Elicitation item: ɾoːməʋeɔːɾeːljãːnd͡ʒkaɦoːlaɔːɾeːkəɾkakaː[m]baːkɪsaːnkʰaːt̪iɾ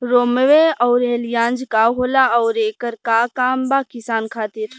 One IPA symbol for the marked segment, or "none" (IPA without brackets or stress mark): m